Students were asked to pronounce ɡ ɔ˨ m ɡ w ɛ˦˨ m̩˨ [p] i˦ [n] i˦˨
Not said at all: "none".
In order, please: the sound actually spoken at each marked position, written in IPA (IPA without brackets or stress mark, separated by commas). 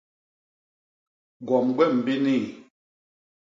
b, n